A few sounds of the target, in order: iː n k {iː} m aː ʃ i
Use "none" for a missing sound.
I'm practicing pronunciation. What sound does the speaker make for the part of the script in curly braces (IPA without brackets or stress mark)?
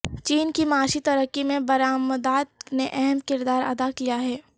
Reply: i